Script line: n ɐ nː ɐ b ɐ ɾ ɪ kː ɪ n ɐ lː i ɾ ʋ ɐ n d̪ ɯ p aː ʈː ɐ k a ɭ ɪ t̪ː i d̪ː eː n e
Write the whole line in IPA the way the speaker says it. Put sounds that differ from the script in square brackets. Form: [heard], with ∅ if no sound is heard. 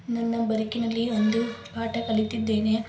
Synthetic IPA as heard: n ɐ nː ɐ b ɐ ɾ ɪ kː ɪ n ɐ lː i [∅] ʋ ɐ n d̪ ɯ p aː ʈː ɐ k [ɐ] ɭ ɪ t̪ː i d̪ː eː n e